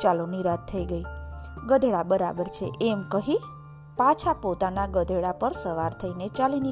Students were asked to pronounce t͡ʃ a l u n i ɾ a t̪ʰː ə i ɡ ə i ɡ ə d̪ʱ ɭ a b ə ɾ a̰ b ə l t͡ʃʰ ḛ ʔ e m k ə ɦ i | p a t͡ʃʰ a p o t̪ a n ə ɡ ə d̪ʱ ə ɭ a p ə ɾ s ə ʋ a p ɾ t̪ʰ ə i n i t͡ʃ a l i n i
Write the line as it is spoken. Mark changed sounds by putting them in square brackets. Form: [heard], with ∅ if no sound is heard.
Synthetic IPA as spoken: t͡ʃ a l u n i ɾ a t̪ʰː ə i ɡ ə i ɡ ə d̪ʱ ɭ a b ə ɾ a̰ b ə [ɾ] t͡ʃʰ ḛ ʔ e m k ə ɦ i | p a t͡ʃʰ a p o t̪ a n [a] ɡ ə d̪ʱ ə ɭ a p ə ɾ s ə ʋ a [∅] ɾ t̪ʰ ə i n [e] t͡ʃ a l i n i